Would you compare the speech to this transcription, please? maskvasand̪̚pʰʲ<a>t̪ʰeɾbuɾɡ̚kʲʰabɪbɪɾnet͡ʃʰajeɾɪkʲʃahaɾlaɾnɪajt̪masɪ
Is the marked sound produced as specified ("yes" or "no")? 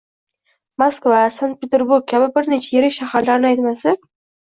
no